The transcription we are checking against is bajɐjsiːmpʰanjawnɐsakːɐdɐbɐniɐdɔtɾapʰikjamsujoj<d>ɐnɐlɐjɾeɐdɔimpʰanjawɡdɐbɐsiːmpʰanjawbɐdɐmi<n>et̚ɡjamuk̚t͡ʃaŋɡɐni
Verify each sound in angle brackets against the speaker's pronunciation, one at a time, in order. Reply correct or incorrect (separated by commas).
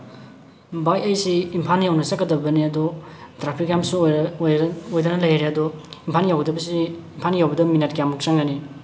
correct, correct